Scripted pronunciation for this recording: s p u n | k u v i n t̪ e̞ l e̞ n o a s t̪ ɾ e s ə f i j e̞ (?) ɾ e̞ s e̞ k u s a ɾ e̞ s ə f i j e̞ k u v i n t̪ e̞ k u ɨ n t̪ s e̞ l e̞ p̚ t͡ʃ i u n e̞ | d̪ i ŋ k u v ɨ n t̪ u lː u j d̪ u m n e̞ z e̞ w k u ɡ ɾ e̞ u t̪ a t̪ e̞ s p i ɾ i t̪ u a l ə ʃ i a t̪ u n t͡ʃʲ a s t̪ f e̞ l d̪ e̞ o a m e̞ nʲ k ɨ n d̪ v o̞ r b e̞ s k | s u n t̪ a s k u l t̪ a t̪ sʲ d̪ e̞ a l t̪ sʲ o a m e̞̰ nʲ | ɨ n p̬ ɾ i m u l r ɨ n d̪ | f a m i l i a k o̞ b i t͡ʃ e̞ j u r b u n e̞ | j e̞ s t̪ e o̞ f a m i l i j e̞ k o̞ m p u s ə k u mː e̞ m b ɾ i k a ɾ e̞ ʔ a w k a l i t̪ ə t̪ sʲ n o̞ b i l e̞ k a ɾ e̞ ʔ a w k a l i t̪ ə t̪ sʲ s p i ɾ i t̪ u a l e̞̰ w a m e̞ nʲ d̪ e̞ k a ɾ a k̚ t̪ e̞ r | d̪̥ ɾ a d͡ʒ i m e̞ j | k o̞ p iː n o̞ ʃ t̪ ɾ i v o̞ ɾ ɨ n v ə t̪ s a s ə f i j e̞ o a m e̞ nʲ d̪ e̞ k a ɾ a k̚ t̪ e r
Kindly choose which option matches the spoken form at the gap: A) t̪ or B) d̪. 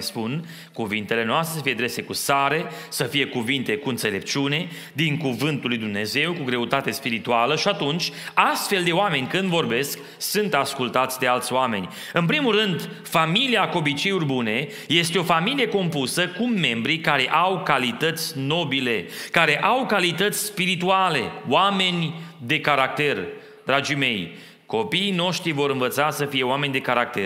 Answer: B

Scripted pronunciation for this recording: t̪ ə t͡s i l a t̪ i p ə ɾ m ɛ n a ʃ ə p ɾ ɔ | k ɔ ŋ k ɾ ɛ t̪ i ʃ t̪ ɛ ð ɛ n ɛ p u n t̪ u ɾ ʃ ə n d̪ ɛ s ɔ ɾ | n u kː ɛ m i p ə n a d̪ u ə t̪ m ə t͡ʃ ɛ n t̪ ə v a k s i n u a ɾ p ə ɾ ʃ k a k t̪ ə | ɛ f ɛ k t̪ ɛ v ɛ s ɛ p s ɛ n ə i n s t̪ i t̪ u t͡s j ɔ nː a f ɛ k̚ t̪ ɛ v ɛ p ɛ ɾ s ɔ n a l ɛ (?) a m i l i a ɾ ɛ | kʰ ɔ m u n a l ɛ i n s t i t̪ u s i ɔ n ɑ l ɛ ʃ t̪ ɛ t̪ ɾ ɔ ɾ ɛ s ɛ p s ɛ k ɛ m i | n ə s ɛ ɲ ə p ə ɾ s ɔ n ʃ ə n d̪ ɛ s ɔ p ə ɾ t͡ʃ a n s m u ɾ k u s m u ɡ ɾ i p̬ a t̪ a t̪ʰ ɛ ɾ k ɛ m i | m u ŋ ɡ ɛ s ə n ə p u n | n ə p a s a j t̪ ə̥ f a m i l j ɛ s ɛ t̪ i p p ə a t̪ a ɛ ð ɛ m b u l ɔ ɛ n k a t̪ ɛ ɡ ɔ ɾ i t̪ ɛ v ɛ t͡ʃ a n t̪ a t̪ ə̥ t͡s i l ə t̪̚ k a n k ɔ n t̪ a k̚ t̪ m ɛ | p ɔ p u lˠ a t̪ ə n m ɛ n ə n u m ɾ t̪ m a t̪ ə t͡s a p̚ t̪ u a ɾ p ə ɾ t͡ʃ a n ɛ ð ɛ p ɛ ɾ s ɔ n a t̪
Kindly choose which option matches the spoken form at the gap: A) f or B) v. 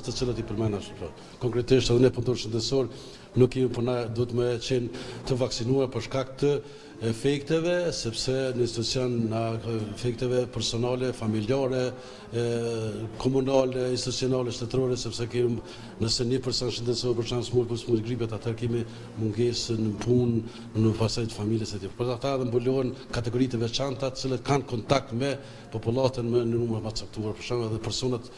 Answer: A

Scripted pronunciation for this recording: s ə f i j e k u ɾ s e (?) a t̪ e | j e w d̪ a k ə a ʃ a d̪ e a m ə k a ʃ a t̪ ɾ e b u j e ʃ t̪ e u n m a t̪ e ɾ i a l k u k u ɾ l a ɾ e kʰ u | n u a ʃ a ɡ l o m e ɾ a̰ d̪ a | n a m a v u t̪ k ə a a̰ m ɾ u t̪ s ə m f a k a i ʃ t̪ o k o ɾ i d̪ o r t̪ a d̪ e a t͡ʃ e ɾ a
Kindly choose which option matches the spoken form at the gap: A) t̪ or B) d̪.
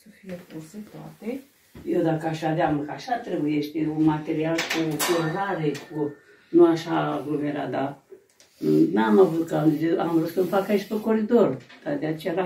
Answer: A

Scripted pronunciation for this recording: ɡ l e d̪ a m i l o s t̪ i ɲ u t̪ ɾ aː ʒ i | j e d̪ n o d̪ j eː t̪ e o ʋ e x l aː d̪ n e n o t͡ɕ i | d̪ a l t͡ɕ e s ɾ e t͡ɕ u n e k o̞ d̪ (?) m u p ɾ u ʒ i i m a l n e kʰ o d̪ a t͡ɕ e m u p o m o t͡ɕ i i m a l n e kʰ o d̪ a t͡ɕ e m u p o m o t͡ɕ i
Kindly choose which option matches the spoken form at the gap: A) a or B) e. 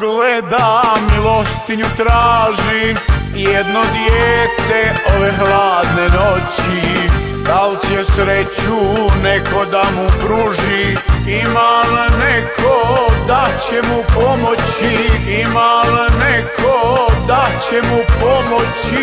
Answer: A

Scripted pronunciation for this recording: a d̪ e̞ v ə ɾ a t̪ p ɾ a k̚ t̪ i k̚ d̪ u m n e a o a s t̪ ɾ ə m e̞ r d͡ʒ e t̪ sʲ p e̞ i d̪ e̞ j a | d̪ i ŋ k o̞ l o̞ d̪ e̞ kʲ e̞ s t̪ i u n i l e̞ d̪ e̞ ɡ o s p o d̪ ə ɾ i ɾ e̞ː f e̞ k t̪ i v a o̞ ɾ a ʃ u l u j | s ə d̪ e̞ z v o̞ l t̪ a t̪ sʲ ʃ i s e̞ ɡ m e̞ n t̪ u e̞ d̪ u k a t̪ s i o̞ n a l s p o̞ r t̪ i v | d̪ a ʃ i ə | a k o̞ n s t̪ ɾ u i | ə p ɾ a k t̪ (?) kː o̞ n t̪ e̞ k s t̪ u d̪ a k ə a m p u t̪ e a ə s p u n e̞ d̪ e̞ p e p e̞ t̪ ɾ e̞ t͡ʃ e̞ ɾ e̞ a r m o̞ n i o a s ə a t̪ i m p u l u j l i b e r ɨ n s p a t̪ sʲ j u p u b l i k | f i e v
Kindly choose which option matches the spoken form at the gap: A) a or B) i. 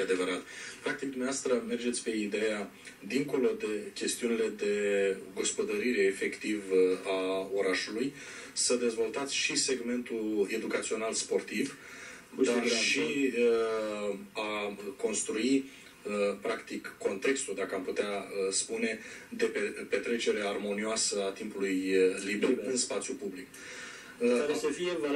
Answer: B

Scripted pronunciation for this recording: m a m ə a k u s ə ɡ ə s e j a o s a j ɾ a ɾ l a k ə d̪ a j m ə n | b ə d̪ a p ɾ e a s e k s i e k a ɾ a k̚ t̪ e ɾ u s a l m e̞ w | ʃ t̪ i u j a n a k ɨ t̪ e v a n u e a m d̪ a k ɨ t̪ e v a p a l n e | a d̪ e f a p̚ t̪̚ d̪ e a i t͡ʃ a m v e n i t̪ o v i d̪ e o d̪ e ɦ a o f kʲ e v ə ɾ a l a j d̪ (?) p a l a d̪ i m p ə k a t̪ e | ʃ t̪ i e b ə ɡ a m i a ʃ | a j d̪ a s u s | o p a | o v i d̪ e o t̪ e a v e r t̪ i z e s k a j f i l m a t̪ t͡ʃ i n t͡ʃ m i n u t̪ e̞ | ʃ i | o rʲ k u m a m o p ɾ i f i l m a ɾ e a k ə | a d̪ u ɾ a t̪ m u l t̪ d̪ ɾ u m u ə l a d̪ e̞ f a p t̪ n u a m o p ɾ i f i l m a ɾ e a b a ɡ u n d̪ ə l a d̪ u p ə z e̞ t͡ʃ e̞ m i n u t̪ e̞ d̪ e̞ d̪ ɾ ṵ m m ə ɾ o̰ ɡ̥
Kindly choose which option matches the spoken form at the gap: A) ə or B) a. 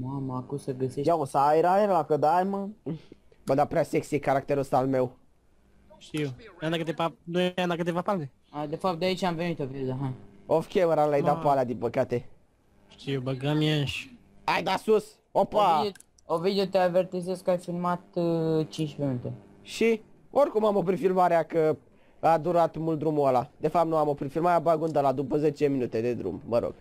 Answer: B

